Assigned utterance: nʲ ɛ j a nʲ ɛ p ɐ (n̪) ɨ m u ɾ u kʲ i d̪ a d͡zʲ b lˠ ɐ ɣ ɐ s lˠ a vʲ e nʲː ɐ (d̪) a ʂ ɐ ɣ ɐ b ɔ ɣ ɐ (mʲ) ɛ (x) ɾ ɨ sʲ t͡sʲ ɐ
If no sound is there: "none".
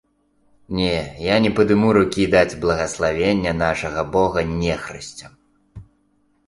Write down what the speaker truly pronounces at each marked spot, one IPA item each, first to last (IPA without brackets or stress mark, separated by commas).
d̪, n̪, nʲ, x